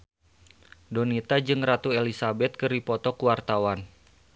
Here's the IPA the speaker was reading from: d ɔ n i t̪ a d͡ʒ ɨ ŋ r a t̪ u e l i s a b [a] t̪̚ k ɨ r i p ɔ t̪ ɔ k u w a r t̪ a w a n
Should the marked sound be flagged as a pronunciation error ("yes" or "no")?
yes